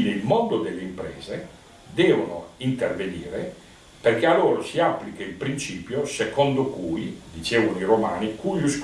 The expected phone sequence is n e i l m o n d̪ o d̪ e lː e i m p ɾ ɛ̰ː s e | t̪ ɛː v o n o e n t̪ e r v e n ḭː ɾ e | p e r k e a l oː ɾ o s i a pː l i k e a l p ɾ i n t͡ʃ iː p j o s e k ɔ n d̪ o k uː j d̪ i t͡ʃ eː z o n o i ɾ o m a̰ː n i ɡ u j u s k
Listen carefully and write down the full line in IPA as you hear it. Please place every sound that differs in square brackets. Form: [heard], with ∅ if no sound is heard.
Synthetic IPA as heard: n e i l m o n d̪ o d̪ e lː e i m p ɾ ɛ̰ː [z] e | [d̪] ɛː v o n o [i] n t̪ e r v e n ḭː ɾ e | p e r k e a l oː ɾ o s i a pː l i k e [i] l p ɾ i n t͡ʃ iː p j o s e k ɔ n d̪ o k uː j d̪ i t͡ʃ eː [v] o n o i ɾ o m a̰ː n i [k] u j u s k